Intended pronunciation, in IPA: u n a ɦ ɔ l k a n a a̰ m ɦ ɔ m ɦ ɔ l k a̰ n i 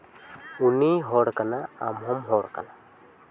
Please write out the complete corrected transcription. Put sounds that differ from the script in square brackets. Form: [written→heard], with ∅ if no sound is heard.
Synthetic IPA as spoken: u n [a→i] ɦ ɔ [l→ɽ] k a n a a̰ m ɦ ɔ m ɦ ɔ [l→ɽ] k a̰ n [i→a]